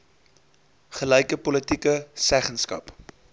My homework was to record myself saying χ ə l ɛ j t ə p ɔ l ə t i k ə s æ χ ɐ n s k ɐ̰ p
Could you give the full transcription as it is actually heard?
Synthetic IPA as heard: χ ə l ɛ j k ə p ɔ l ə t i k ə s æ χ ə n s k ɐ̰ p